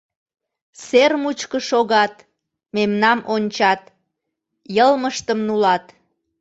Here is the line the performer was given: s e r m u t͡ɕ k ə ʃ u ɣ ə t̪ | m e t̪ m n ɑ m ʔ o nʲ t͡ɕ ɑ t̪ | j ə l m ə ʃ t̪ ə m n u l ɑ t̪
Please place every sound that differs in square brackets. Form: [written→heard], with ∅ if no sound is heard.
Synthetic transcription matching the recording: s e r m u t͡ɕ k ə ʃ [u→o] ɣ [ə→ɑ] t̪ | m e [t̪→∅] m n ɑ m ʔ o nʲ t͡ɕ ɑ t̪ | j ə l m ə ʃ t̪ ə m n u l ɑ t̪